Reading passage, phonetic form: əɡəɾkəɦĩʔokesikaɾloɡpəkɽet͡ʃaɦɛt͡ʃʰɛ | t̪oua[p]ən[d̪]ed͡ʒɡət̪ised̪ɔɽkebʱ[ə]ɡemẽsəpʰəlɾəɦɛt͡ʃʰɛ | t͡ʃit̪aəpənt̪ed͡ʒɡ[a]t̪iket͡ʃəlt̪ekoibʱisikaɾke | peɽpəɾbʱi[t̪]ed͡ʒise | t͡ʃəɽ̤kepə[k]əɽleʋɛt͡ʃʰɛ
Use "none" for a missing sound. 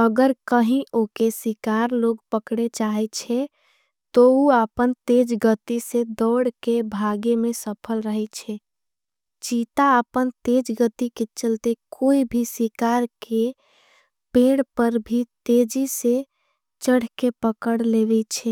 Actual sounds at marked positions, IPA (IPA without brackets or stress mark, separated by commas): p, t̪, a, ə, t̪, k